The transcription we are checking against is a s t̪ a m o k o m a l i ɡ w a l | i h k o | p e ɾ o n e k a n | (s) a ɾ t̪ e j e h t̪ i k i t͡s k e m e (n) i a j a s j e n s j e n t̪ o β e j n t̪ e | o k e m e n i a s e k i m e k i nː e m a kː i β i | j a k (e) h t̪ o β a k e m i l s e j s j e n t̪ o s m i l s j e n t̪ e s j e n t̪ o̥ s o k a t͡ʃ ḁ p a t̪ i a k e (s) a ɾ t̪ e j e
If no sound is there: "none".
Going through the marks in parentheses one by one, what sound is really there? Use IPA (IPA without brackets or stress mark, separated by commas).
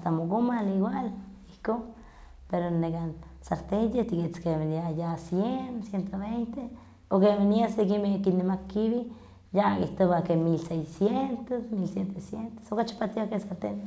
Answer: s, n, i, s